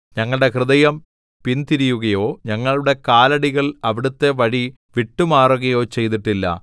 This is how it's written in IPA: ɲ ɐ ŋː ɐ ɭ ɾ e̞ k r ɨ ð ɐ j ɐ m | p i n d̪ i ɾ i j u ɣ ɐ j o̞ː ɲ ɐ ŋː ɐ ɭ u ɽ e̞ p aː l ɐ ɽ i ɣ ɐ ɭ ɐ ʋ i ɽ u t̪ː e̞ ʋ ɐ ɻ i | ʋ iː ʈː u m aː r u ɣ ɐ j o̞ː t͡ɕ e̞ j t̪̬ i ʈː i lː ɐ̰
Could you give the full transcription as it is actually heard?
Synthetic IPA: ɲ ɐ ŋː ɐ ɭ ɽ e̞ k r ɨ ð ɐ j ɐ m | p i n t̪ i ɾ i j u ɣ ɐ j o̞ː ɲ ɐ ŋː ɐ ɭ u ɽ e̞ k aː l ɐ ɽ i ɣ ɐ ɭ ɐ ʋ i ɽ u t̪ː e̞ ʋ ɐ ɻ i | ʋ i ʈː u m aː r u ɣ ɐ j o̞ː t͡ɕ e̞ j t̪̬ i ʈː i lː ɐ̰